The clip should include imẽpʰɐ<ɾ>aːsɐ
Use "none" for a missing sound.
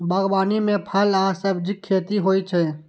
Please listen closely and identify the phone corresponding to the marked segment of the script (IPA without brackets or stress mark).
l